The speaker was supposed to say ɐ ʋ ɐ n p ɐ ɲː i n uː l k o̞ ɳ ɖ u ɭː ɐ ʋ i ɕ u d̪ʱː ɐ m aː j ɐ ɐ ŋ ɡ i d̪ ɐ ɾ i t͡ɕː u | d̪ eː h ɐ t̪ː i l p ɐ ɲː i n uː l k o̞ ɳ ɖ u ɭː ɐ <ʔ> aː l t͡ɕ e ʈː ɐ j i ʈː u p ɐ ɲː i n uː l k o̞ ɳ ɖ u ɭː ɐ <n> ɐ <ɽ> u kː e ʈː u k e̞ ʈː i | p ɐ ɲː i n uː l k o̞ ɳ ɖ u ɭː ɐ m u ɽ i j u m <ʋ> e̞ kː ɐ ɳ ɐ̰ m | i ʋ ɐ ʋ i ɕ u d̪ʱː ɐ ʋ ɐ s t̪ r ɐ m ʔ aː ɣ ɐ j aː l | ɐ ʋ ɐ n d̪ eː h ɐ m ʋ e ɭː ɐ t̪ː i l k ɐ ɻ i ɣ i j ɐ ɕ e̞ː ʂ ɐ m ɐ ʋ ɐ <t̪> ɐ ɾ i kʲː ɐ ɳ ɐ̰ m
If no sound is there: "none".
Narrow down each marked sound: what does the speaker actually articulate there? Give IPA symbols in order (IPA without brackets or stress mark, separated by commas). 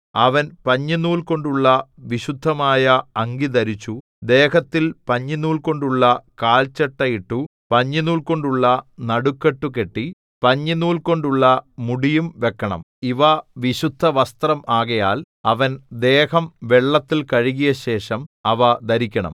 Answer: k, n, ɽ, ʋ, d̪